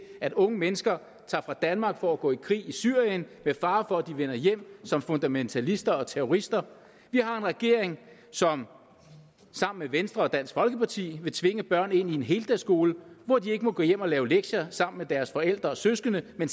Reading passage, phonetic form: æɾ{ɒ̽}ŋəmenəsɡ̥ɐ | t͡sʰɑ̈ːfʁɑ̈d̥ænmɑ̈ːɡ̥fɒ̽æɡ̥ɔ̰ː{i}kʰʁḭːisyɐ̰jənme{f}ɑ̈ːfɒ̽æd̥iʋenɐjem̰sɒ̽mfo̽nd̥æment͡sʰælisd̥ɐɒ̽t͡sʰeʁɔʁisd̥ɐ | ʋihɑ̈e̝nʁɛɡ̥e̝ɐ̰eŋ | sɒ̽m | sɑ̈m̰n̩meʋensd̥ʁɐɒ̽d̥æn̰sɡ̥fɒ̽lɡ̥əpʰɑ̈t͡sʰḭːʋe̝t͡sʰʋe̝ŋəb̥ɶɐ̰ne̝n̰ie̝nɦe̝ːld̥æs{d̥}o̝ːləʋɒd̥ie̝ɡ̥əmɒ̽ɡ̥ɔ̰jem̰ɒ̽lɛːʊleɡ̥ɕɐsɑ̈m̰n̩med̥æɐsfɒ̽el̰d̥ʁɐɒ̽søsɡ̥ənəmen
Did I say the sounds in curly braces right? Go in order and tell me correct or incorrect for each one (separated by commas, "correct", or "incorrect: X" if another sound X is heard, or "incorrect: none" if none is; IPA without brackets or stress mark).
incorrect: ɔ̽, correct, correct, incorrect: ɡ̥